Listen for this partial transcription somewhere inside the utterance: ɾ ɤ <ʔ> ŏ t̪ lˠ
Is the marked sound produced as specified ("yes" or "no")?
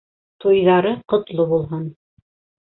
no